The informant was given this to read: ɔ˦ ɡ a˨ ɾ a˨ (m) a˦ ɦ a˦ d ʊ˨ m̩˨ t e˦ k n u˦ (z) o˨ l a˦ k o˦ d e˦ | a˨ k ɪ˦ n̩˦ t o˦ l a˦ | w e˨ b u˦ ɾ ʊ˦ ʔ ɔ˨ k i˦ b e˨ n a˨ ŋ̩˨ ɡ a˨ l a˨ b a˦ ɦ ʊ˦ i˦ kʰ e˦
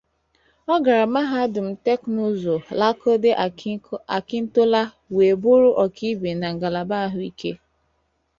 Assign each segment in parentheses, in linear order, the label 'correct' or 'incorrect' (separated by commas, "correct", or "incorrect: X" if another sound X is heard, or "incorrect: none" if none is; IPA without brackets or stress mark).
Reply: correct, correct